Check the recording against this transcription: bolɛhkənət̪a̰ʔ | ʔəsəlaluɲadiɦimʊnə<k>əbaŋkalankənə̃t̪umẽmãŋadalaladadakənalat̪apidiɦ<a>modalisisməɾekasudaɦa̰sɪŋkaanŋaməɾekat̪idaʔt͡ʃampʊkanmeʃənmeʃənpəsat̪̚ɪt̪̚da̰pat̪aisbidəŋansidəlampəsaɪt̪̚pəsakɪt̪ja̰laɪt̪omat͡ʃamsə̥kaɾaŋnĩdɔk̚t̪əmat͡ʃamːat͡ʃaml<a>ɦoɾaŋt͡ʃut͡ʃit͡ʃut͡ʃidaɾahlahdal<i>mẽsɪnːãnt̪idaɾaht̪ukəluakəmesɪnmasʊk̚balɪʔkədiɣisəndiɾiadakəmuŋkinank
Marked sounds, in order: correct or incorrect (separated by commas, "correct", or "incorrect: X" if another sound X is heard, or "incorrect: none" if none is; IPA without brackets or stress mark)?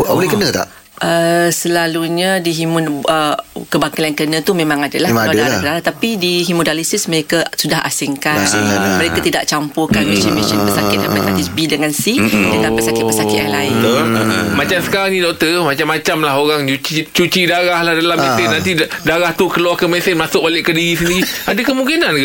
correct, incorrect: i, correct, incorrect: a